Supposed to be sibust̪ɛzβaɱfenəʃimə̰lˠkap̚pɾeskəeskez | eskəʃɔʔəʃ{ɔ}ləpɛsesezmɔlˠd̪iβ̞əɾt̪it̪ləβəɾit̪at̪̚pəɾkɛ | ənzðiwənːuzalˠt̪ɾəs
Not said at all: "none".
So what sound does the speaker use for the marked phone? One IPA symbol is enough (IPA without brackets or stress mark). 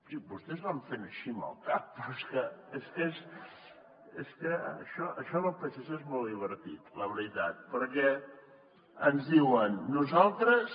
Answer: ɔ